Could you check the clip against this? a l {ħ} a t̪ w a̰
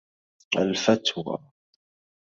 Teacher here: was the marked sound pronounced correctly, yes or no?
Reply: no